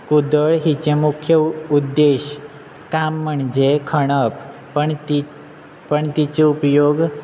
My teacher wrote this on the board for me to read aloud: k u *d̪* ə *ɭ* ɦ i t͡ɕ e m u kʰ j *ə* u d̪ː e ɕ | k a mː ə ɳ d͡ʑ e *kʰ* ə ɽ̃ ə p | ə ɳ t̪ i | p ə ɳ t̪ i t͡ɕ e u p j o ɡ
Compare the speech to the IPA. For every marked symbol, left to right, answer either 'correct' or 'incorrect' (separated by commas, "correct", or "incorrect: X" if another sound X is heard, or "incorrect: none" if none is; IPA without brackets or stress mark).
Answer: correct, correct, correct, correct